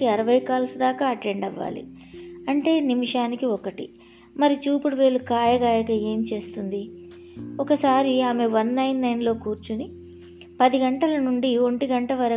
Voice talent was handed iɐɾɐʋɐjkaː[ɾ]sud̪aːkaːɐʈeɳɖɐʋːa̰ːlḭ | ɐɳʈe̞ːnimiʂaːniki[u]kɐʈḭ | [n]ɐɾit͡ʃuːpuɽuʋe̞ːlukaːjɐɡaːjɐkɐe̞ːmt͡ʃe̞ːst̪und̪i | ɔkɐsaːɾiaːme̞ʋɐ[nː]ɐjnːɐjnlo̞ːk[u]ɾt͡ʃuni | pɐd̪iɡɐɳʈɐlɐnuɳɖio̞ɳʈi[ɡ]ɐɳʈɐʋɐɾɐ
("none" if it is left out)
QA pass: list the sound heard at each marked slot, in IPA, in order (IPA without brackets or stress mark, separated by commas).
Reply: l, ɔ, m, nː, uː, ɡ